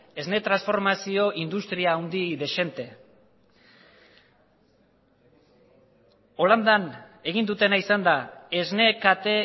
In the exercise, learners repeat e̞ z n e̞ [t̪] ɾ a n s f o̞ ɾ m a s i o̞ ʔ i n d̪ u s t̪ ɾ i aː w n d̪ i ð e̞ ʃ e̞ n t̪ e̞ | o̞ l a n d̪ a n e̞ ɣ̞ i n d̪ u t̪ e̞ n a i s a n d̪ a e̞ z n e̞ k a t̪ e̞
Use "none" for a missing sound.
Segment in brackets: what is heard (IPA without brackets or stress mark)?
t̪